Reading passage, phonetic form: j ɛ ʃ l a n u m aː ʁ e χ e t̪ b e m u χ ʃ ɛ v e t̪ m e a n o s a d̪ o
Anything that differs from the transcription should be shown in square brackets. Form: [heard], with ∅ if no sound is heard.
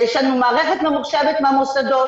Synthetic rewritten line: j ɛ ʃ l a n u m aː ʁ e χ e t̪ [m] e m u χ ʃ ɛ v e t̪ m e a [m] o s a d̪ o